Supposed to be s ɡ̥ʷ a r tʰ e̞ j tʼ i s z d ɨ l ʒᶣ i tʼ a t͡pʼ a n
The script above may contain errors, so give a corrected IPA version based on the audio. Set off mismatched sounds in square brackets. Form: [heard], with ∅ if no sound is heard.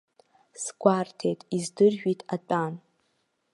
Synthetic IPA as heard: s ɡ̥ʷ a r tʰ e̞ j tʼ i [∅] z d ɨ [r] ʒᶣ i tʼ a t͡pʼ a n